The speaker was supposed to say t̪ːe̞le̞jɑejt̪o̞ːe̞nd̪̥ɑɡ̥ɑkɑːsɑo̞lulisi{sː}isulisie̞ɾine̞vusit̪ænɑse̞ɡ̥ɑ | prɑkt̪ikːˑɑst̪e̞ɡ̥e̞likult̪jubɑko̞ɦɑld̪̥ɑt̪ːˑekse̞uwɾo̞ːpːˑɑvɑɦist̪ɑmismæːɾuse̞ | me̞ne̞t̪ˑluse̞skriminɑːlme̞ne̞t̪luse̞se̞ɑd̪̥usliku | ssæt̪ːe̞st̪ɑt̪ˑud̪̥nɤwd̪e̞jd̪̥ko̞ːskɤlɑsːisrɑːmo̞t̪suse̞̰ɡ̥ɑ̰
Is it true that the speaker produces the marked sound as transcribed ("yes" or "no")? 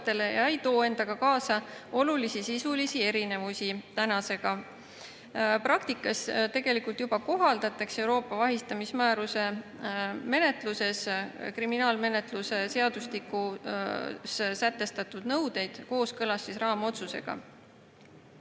no